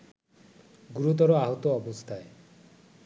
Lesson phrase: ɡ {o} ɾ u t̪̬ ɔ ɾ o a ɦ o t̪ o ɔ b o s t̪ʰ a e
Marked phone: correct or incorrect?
incorrect